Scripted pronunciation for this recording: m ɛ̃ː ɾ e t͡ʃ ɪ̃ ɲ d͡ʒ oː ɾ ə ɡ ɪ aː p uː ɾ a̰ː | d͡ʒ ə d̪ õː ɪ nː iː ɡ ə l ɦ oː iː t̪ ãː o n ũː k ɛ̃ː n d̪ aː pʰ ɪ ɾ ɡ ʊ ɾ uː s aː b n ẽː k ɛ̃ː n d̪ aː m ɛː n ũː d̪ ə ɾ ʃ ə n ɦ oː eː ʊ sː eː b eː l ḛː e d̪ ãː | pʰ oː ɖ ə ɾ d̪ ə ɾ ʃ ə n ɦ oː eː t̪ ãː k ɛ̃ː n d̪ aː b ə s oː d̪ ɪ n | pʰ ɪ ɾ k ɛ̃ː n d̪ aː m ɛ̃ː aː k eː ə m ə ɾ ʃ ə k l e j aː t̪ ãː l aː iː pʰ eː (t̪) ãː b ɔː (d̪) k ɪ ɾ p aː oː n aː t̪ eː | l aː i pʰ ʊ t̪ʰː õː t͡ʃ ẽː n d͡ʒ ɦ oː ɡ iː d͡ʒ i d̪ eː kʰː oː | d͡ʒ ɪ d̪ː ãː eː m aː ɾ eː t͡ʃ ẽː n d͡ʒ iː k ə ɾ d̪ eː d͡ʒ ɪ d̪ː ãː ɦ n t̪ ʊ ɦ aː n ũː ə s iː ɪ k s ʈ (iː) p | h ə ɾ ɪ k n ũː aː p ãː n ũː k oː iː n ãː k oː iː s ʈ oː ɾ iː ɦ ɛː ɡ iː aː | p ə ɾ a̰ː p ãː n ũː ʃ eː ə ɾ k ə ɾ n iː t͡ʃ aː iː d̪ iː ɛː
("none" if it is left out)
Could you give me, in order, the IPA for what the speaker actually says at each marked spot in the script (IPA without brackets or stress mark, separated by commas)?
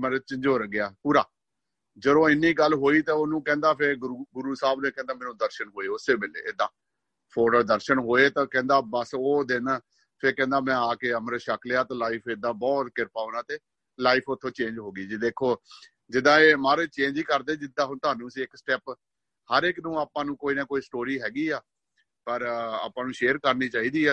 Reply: d̪, t̪, ɛː